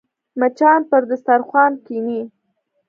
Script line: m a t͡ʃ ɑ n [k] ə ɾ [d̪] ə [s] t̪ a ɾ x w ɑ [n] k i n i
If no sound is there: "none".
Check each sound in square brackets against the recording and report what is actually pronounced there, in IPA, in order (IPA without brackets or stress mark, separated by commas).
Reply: p, d̪, s, n